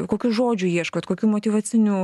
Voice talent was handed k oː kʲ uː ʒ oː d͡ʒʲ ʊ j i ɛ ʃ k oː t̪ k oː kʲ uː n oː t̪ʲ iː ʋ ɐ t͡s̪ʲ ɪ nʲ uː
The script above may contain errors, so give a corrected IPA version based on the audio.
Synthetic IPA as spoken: k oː kʲ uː ʒ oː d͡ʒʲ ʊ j i ɛ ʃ k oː t̪ k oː kʲ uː m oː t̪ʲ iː ʋ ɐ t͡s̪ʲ ɪ nʲ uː